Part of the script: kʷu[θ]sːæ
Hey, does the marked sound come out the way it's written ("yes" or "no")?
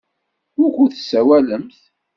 yes